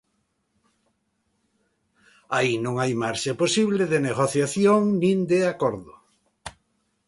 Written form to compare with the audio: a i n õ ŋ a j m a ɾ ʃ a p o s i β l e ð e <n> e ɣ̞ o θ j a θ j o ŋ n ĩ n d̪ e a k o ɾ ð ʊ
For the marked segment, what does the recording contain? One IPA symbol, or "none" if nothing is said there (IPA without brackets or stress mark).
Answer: n